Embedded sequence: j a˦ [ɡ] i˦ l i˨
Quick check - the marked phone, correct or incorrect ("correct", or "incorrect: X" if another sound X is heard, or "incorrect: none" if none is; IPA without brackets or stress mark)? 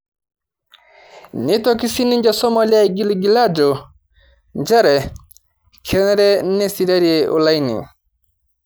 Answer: correct